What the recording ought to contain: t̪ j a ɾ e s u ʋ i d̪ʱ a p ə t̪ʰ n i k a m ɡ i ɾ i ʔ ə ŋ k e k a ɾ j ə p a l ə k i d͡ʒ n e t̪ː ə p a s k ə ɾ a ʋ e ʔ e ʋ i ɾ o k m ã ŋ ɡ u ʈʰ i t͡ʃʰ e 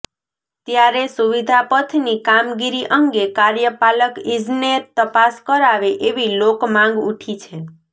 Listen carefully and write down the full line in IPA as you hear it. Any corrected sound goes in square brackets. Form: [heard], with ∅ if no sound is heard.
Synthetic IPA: t̪ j a ɾ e s u ʋ i d̪ʱ a p ə t̪ʰ n i k a m ɡ i ɾ i ʔ ə ŋ [ɡ] e k a ɾ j ə p a l ə k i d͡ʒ n e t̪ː ə p a s k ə ɾ a ʋ e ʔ e ʋ i [l] o k m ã ŋ ɡ u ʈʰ i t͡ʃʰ e

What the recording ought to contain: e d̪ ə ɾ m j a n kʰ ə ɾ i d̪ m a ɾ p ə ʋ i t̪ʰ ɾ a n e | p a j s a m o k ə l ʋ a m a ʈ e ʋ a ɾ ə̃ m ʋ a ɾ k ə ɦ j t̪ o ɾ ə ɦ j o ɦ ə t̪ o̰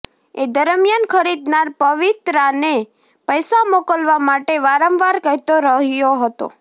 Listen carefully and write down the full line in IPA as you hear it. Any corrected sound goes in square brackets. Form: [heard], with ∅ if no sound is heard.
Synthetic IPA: e d̪ ə ɾ m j a n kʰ ə ɾ i d̪ [n] a ɾ p ə ʋ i [t̪] ɾ a n e | p [ə] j s a m o k ə l ʋ a m a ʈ e ʋ a ɾ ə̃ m ʋ a ɾ k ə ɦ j t̪ o ɾ ə ɦ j o ɦ ə t̪ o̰

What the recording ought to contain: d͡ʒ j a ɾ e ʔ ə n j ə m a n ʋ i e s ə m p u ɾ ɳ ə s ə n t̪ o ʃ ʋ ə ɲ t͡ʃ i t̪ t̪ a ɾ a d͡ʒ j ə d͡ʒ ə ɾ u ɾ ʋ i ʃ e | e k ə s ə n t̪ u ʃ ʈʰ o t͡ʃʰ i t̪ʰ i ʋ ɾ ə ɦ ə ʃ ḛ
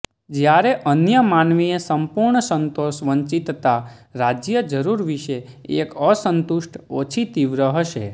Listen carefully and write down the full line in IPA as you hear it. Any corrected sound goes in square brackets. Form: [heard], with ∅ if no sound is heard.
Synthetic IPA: d͡ʒ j a ɾ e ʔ ə n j ə m a n ʋ i e s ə m p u ɾ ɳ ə s ə n t̪ o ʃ ʋ ə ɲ t͡ʃ i t̪ t̪ a ɾ a d͡ʒ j ə d͡ʒ ə ɾ u ɾ ʋ i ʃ e | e k ə s ə n t̪ u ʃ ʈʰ o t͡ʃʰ i [t̪] i ʋ ɾ ə ɦ ə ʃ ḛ

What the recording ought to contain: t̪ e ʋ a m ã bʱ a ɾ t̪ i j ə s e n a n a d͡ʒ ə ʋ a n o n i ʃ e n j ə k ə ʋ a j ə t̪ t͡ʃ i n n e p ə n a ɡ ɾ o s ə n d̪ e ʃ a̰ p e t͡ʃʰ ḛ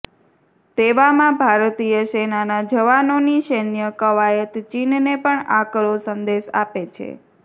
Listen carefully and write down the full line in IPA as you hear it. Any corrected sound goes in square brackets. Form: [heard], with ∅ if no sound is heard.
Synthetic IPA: t̪ e ʋ a m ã bʱ a ɾ t̪ i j ə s e n a n a d͡ʒ ə ʋ a n o n i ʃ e n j ə k ə ʋ a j ə t̪ t͡ʃ i n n e p ə [ɳ] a [k] ɾ o s ə n d̪ e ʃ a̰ p e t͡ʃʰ ḛ

